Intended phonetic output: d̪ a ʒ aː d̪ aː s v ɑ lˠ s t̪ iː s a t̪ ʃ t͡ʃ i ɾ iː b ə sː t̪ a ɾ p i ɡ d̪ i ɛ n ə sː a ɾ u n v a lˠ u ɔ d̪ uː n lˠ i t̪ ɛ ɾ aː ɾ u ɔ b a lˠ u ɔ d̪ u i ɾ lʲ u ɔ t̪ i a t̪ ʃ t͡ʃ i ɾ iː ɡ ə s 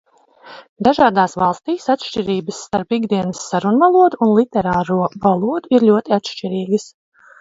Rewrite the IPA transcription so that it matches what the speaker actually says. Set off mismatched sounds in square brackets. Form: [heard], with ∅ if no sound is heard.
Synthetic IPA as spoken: d̪ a ʒ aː d̪ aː s v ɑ lˠ s t̪ iː s a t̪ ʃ t͡ʃ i ɾ iː b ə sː t̪ a ɾ p i ɡ d̪ i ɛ n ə sː a ɾ u n v a lˠ u ɔ d̪ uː n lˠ i t̪ ɛ ɾ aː ɾ u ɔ [v] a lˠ u ɔ d̪ u i ɾ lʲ u ɔ t̪ i a t̪ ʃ t͡ʃ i ɾ iː ɡ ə s